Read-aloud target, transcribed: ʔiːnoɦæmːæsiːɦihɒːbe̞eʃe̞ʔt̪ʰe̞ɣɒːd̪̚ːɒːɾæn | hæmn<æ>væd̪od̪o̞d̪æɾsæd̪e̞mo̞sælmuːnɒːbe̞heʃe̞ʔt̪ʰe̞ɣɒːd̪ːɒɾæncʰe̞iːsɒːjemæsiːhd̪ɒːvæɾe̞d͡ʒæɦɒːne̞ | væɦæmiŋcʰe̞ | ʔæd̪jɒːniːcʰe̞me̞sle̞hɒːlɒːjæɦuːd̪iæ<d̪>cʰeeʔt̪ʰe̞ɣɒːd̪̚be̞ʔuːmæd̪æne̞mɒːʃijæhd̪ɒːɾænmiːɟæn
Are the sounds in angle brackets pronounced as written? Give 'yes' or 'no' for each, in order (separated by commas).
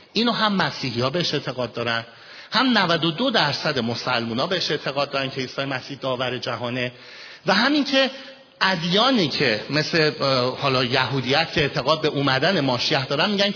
yes, no